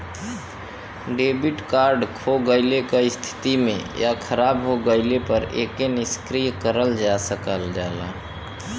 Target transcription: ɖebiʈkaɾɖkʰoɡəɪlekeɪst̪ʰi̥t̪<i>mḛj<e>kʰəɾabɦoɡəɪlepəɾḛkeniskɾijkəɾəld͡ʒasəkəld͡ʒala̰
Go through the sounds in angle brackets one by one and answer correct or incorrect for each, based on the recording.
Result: correct, incorrect: a

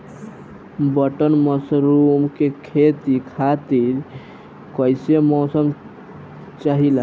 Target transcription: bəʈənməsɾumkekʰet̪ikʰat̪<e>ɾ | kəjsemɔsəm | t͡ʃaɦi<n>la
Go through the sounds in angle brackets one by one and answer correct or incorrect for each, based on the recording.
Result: incorrect: i, incorrect: none

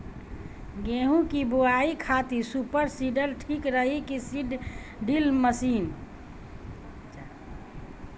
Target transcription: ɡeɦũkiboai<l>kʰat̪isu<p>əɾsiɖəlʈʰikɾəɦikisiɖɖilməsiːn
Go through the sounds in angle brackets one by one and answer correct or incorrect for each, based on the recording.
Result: incorrect: none, correct

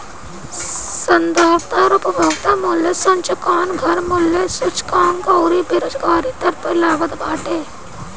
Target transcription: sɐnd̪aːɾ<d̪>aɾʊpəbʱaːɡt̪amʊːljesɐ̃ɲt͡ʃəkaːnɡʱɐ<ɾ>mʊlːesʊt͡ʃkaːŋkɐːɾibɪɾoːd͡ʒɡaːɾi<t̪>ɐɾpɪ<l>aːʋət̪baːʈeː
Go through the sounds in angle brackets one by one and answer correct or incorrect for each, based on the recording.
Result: incorrect: t̪, correct, correct, correct

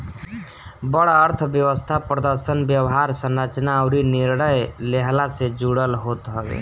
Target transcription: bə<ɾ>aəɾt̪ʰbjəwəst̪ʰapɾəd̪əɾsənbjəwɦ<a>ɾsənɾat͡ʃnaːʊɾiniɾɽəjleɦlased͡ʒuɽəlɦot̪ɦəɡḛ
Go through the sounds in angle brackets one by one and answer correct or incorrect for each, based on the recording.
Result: incorrect: ɽ, correct

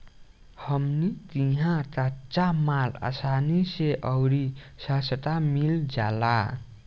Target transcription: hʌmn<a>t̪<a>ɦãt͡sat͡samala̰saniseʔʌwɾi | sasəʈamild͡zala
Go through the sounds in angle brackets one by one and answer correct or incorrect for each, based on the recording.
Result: incorrect: i, incorrect: i

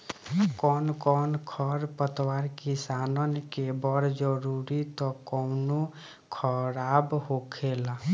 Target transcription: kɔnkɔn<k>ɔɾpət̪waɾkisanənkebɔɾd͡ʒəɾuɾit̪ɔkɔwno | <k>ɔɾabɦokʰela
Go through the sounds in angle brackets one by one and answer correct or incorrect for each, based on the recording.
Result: incorrect: kʰ, incorrect: kʰ

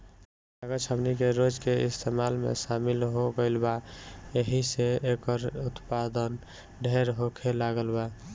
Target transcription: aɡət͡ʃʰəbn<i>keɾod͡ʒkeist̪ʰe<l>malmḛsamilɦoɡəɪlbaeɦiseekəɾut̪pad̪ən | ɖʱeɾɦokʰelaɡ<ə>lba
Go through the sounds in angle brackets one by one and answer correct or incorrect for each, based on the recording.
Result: correct, incorrect: none, correct

